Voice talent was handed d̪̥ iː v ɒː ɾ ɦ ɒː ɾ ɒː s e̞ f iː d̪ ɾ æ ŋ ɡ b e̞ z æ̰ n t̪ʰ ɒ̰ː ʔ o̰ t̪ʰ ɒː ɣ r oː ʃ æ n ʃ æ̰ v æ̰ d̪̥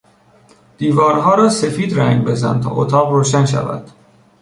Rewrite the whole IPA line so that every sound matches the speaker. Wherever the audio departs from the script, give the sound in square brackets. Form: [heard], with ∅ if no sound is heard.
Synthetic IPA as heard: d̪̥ iː v ɒː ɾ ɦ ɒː ɾ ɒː s e̞ f iː d̪ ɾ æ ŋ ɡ b e̞ z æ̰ n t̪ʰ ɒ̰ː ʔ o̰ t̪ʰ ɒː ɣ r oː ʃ æ n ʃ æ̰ v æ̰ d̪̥